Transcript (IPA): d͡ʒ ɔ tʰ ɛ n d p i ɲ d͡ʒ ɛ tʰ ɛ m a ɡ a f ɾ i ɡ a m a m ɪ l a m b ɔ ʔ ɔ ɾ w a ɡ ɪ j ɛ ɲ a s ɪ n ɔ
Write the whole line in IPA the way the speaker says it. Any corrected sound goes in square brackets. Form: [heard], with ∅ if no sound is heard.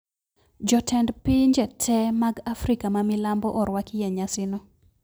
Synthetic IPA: d͡ʒ ɔ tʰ ɛ n d p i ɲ d͡ʒ ɛ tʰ ɛ m a ɡ a f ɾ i [k] a m a m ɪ l a m b ɔ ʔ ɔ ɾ w a [k] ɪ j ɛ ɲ a s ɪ n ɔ